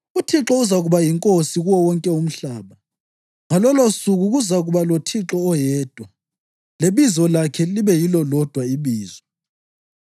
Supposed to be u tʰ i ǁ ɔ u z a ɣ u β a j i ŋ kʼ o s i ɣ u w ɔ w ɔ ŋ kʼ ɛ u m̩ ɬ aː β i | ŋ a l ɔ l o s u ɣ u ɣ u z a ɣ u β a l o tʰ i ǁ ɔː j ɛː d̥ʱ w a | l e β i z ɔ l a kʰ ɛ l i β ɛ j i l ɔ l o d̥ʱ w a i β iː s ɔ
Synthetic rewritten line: u tʰ i ǁ ɔ u z a ɣ u β a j i ŋ kʼ o s i ɣ u w ɔ w ɔ ŋ kʼ ɛ u m̩ ɬ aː β a | ŋ a l ɔ l o s u ɣ u ɣ u z a ɣ u β a l o tʰ i ǁ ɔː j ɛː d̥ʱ w a | l e β i z ɔ l a kʰ ɛ l i β ɛ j i l ɔ l ɔ d̥ʱ w a i β iː z ɔ